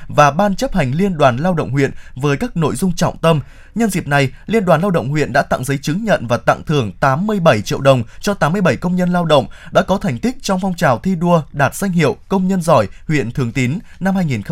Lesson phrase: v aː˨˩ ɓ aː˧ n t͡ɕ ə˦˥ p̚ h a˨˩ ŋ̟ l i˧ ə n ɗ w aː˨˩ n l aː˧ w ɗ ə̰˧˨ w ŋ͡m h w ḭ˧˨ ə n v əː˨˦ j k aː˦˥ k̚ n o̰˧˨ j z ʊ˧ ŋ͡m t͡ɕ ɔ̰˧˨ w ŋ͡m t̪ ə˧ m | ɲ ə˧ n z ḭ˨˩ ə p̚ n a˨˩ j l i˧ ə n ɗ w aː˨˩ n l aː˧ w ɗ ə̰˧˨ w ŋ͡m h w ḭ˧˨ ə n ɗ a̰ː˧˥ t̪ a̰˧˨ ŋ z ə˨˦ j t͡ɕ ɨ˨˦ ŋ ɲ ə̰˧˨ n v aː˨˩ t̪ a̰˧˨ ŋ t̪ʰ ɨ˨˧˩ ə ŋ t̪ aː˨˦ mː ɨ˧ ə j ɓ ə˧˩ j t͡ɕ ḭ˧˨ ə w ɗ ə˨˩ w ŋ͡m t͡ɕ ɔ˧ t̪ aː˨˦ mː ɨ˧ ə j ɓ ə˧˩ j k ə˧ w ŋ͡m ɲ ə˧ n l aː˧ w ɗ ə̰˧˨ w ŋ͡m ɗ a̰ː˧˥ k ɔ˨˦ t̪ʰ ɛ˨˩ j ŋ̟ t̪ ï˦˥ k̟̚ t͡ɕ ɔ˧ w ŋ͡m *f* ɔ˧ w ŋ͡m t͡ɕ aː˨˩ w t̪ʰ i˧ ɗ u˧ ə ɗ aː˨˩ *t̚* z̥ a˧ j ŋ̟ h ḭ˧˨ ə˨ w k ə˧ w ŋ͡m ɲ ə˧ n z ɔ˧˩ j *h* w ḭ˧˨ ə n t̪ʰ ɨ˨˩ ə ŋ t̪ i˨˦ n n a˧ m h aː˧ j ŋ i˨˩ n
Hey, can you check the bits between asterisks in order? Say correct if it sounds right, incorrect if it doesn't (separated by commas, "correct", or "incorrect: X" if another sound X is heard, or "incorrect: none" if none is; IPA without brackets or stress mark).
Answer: correct, correct, correct